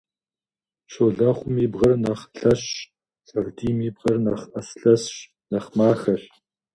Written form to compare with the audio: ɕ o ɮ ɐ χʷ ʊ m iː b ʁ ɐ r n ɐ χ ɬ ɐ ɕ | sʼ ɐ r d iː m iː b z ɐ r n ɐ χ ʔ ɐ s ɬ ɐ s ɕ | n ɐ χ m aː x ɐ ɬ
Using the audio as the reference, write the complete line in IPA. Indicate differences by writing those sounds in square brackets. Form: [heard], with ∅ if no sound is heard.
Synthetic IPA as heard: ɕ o ɮ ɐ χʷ ʊ m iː b ʁ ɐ r n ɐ χ ɬ ɐ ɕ | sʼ ɐ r d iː m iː b [ʁ] ɐ r n ɐ χ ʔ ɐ s ɬ ɐ s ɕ | n ɐ χ m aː x ɐ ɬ